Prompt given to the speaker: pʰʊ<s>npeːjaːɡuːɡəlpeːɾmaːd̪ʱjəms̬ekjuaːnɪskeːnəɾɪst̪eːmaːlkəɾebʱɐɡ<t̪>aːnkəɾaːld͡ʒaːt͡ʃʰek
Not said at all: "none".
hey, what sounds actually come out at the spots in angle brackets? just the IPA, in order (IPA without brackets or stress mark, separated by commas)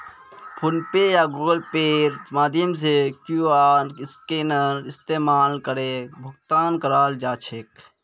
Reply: none, t̪